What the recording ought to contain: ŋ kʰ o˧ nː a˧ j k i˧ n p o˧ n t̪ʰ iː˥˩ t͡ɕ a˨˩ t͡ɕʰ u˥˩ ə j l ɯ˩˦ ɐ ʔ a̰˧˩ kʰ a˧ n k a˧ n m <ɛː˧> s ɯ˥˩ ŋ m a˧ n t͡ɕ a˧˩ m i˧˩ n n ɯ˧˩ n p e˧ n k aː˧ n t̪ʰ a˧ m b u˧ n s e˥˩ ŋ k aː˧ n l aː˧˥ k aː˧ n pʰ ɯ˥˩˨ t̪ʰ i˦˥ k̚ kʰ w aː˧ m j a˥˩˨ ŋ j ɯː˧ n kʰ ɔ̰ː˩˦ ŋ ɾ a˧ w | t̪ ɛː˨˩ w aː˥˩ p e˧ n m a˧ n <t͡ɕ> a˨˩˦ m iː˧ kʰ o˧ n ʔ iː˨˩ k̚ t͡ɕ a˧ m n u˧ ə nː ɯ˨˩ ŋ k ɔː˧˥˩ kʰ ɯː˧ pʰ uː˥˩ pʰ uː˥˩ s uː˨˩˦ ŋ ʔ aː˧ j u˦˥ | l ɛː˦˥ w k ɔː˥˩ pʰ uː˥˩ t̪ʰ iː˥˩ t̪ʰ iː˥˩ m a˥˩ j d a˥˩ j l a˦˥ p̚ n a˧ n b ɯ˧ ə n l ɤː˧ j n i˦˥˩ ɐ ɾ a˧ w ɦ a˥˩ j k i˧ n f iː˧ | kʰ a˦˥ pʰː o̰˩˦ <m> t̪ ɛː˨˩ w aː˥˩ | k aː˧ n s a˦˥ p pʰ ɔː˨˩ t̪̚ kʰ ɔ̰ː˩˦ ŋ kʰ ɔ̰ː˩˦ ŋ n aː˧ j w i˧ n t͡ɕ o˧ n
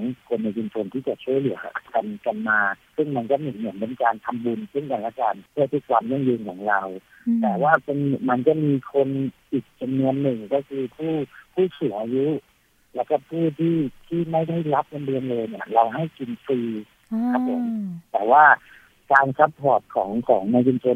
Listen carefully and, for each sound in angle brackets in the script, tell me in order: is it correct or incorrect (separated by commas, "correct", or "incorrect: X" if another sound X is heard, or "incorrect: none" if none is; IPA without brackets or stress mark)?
incorrect: aː˧, correct, correct